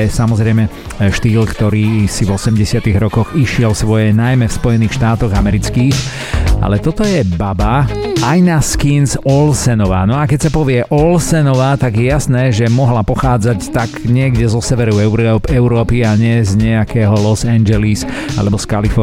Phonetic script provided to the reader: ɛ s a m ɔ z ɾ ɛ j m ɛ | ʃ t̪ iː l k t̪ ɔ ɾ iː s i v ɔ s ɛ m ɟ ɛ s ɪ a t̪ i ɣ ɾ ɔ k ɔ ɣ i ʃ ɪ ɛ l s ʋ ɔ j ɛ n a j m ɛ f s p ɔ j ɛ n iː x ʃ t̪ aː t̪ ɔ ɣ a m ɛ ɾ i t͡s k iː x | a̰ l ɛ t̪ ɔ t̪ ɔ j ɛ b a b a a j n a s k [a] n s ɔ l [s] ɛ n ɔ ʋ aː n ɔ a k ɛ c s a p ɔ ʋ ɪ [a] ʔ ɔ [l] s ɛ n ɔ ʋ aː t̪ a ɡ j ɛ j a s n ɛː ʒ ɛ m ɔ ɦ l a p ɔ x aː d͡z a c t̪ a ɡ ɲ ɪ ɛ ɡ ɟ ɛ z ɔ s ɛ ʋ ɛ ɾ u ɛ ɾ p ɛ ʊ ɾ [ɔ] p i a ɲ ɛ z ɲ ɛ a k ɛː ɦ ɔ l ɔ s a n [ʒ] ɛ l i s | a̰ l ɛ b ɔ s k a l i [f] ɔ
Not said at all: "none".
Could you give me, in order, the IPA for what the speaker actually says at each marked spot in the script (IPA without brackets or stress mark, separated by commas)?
i, s, ɛ, l, ɔː, d͡ʒ, f